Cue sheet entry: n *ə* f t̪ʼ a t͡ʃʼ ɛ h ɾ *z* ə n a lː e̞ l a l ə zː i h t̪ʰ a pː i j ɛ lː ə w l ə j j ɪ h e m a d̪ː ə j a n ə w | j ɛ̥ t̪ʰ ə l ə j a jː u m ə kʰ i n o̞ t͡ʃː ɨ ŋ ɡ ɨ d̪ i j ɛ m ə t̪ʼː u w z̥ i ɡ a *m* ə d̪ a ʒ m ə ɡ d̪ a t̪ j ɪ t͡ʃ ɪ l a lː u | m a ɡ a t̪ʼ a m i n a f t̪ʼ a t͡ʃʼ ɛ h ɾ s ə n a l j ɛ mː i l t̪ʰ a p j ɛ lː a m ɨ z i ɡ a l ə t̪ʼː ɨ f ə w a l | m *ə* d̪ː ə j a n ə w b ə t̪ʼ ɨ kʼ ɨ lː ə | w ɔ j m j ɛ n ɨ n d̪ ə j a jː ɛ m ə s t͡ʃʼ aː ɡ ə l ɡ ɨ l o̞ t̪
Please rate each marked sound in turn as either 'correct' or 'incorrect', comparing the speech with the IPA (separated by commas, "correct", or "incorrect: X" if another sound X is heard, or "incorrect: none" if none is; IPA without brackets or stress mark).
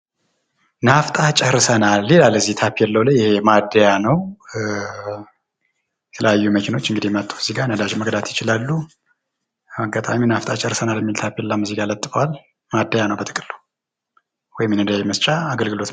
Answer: incorrect: a, incorrect: s, incorrect: n, incorrect: a